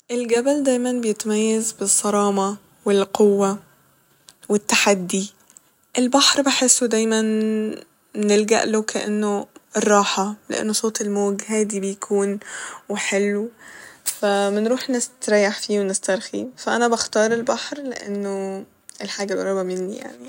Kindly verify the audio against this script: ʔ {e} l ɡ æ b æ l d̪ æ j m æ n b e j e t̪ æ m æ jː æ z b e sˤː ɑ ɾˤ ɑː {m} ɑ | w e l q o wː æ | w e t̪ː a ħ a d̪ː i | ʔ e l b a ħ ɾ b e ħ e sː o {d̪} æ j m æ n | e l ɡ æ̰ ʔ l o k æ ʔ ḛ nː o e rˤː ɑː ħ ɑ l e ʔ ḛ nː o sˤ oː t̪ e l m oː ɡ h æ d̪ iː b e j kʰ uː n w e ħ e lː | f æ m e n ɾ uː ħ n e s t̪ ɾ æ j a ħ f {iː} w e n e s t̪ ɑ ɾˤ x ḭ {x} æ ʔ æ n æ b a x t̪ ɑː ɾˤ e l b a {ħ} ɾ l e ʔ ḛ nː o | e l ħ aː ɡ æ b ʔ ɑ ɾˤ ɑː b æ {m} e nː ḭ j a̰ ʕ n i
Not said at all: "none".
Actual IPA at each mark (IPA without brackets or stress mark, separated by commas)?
e, m, d̪, iː, f, ħ, m